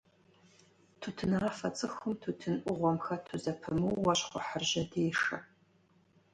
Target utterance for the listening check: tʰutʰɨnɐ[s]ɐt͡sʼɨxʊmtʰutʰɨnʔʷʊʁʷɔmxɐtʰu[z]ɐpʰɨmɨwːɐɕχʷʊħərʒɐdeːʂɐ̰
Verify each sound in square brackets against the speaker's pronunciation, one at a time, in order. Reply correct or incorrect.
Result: incorrect, correct

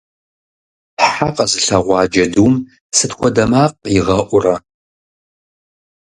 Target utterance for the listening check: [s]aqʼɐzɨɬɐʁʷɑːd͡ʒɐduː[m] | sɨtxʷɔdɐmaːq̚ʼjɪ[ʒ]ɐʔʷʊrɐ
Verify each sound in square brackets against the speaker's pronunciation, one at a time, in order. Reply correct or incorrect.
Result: incorrect, correct, incorrect

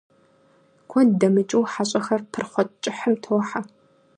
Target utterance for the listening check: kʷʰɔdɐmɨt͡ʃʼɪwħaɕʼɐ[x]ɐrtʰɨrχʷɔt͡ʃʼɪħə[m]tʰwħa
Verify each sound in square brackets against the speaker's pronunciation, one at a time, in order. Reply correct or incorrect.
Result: correct, correct

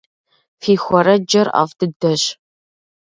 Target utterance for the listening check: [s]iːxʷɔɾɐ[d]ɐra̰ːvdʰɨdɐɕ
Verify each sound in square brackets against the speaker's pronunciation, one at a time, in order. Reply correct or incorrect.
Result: incorrect, incorrect

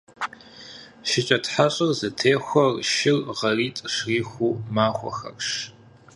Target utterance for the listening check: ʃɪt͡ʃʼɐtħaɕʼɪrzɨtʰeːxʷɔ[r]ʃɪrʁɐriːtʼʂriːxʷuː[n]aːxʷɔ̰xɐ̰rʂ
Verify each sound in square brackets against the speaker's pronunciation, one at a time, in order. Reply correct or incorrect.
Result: correct, incorrect

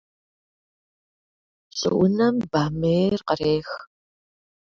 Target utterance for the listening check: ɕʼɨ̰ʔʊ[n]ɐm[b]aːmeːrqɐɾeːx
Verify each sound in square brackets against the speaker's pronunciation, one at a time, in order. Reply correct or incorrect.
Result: correct, correct

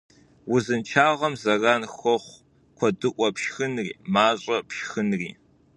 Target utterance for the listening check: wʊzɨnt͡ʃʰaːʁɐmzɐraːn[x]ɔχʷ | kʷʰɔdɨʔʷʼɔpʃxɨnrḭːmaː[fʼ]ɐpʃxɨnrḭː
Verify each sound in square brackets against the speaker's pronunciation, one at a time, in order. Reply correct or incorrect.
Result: correct, incorrect

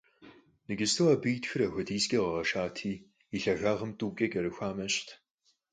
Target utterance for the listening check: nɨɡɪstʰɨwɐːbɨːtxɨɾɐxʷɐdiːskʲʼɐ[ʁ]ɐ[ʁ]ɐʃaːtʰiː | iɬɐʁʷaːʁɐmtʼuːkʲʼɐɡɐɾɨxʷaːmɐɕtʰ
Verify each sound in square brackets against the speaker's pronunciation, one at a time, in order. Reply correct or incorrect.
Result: correct, correct

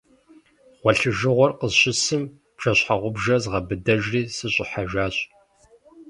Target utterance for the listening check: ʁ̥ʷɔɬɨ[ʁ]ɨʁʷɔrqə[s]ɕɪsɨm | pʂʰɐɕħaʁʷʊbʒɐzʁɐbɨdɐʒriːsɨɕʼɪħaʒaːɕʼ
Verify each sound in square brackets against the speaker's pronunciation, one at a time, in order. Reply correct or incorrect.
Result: incorrect, incorrect

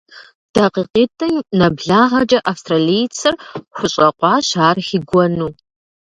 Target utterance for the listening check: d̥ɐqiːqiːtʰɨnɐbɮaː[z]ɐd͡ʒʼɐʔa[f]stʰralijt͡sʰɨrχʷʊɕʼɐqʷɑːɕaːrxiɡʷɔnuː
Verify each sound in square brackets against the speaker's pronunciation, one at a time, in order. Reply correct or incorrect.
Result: incorrect, correct

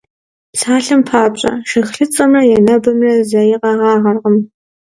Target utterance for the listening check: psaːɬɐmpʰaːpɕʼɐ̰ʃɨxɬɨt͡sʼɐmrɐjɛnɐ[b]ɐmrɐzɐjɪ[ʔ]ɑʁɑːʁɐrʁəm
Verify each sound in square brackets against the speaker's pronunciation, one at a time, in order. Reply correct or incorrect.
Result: correct, incorrect

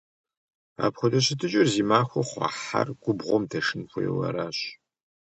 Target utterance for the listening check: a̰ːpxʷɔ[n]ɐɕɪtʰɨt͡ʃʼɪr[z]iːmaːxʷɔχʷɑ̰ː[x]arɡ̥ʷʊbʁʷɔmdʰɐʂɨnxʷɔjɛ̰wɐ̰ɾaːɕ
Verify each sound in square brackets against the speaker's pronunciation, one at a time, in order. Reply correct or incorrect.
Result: incorrect, correct, incorrect

